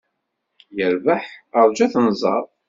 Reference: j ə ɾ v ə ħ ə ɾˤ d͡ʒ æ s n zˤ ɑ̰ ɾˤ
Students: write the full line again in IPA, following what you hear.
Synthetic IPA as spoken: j ə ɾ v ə ħ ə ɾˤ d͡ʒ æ θ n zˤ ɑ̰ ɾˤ

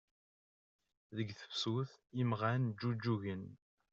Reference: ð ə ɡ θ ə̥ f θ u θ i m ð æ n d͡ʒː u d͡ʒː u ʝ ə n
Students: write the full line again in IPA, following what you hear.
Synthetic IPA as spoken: ð ə ɡ θ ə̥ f s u θ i m ʁ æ n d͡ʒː u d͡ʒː u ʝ ə n

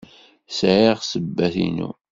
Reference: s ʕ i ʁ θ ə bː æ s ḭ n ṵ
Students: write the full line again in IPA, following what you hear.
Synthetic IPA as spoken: s ʕ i ʁ s ə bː æ θ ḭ n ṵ

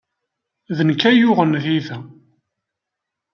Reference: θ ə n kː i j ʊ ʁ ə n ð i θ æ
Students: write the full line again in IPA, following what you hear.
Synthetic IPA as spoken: ð ə n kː æ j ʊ ʁ ə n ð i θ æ

